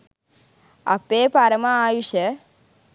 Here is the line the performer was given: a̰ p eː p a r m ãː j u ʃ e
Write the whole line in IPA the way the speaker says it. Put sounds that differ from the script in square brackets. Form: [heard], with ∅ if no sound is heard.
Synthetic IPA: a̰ p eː p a [ɾ] m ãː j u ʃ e